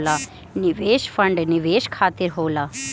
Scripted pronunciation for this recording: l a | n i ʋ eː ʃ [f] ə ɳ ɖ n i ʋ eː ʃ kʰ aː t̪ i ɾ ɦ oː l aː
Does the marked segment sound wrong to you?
no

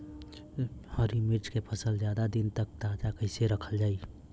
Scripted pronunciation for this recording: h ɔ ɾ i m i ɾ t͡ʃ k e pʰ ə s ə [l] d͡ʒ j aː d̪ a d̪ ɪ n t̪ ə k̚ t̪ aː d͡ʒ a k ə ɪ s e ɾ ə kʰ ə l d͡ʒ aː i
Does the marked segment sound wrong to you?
no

